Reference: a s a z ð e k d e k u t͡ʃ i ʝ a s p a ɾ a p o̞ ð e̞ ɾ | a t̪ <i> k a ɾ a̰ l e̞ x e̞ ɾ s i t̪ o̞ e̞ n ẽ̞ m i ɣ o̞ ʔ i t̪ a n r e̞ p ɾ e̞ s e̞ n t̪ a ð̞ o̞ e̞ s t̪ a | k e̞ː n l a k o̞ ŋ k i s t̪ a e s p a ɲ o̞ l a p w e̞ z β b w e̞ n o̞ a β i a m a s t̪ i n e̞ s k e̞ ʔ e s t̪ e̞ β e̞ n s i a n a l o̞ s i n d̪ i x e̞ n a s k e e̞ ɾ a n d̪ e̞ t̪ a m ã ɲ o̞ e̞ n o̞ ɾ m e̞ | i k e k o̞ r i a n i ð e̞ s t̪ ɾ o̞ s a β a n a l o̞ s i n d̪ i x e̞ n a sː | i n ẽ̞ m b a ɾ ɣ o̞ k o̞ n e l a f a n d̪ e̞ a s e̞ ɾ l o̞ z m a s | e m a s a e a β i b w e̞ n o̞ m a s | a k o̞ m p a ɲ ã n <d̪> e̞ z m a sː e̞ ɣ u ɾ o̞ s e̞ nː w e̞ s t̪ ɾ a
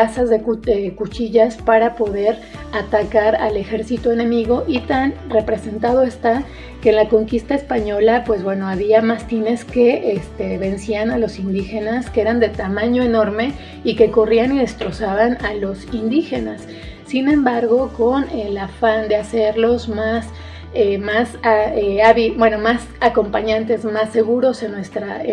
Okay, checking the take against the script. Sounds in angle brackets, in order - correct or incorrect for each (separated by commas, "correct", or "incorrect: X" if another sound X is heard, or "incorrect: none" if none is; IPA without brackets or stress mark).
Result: incorrect: a, incorrect: t̪